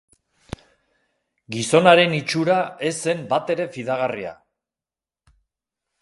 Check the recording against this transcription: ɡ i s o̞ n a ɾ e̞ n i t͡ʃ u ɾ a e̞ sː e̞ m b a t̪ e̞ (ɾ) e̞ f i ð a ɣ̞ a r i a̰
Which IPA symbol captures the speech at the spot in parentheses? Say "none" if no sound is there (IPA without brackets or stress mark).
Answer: ɾ